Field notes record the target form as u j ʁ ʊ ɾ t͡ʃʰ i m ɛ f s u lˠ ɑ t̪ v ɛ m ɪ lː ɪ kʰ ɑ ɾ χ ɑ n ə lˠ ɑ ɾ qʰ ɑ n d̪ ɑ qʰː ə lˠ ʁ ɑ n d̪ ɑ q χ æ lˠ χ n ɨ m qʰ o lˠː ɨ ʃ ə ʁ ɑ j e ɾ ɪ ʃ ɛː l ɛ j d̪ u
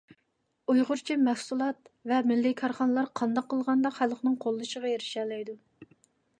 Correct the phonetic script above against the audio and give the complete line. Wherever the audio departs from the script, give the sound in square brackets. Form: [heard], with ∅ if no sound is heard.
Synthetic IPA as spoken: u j ʁ ʊ ɾ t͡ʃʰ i m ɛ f s u lˠ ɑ t̪ v ɛ m ɪ lː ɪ kʰ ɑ ɾ χ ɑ n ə lˠ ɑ ɾ qʰ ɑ n d̪ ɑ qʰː ə lˠ ʁ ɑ n d̪ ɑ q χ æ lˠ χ n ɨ [ŋ] qʰ o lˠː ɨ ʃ ə ʁ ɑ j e ɾ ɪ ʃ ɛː l ɛ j d̪ u